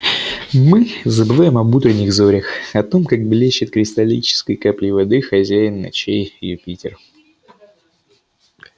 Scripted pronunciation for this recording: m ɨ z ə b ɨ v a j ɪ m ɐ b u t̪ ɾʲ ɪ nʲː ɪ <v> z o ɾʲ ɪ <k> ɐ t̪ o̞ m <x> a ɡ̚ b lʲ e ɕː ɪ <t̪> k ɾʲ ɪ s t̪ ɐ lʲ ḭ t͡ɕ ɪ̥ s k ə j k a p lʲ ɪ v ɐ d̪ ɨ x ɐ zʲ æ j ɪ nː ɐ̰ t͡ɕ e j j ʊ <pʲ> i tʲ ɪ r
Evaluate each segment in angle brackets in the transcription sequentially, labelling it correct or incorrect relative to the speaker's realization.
incorrect, incorrect, incorrect, correct, correct

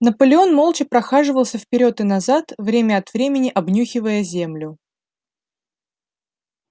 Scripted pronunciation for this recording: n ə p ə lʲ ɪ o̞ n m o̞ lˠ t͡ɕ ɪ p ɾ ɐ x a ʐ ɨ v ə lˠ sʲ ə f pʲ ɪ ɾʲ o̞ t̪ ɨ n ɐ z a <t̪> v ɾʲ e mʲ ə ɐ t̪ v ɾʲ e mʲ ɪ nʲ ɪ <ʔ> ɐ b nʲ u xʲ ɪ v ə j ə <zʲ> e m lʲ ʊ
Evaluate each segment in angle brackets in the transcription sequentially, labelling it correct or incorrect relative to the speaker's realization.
correct, correct, correct

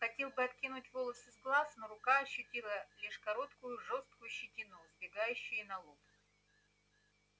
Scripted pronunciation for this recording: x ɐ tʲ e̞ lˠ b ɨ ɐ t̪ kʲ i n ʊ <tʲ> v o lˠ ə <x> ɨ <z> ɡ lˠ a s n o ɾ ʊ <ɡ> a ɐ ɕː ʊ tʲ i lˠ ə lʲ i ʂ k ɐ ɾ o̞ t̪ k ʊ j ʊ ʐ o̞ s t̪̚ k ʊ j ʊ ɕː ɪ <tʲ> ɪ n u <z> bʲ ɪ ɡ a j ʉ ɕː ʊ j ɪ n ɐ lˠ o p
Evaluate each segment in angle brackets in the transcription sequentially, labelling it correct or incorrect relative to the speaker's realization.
correct, incorrect, correct, incorrect, correct, correct

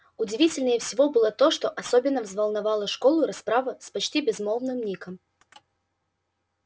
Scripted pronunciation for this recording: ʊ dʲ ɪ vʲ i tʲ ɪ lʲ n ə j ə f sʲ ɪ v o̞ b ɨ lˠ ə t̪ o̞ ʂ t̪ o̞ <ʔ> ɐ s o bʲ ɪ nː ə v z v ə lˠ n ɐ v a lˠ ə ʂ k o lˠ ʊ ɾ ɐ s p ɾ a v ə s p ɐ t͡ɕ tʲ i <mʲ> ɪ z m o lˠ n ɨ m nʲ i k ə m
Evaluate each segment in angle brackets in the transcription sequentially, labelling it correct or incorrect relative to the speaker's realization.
correct, incorrect

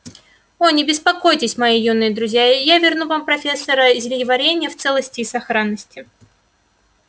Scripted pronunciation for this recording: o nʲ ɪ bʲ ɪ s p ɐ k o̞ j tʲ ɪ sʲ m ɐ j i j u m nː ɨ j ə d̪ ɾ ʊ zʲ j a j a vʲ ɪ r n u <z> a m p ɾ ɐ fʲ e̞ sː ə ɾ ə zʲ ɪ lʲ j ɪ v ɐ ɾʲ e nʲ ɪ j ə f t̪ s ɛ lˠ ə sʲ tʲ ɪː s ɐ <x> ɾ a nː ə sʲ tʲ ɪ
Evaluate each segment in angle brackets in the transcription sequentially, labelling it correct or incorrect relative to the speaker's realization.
incorrect, correct

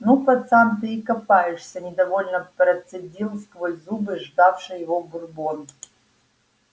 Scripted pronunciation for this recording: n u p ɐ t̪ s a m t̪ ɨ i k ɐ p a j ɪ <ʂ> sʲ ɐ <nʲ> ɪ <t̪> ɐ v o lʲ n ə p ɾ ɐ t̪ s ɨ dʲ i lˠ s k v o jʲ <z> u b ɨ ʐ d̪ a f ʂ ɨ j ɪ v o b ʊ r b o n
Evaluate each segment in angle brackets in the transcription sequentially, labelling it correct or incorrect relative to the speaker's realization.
correct, correct, incorrect, correct

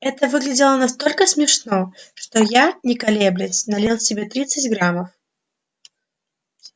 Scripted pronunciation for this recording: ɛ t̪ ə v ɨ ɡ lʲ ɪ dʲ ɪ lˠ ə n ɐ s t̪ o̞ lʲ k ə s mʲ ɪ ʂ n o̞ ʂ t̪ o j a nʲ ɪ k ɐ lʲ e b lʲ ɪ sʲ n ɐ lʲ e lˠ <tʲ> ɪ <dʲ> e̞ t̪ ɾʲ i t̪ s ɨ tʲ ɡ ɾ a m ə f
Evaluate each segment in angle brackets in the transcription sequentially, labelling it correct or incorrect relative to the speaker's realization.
incorrect, incorrect

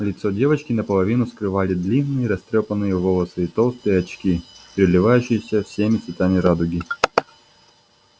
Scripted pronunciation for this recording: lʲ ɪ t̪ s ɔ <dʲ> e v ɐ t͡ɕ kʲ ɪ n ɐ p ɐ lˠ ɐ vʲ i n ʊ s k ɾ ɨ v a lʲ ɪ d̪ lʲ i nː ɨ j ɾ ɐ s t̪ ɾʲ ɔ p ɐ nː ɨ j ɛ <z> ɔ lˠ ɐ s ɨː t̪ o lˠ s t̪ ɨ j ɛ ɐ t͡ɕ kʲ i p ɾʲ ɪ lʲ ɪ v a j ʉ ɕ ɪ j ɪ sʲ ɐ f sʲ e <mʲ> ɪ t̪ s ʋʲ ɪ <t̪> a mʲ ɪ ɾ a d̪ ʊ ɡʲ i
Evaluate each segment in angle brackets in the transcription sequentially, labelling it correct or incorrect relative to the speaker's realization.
correct, incorrect, correct, correct

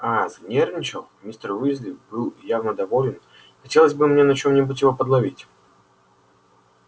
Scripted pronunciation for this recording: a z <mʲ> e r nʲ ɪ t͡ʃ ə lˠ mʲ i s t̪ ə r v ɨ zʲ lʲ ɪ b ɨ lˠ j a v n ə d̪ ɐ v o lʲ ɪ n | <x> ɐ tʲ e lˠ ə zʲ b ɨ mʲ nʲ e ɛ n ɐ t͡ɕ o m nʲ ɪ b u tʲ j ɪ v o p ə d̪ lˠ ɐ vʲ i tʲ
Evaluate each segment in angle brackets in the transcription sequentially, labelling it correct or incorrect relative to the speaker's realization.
incorrect, correct

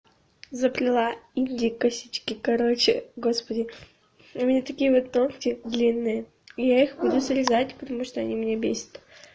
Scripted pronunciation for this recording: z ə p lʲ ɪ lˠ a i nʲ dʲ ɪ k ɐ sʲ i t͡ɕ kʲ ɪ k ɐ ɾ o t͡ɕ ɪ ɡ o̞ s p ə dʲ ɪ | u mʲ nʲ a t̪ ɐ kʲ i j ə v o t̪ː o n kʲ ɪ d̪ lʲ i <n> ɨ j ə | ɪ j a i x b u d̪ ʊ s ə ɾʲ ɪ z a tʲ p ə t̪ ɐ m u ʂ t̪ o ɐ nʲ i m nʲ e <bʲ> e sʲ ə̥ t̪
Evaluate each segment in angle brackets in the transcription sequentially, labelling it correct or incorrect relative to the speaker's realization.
incorrect, correct

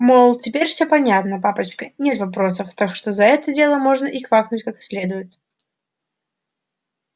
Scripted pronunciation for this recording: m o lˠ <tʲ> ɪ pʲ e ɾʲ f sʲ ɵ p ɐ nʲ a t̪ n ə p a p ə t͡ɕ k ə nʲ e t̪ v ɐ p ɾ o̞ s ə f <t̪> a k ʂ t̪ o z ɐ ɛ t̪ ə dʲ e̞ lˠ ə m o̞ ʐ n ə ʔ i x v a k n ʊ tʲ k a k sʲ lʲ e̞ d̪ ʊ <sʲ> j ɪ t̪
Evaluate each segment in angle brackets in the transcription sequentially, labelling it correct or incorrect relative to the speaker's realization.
correct, correct, incorrect

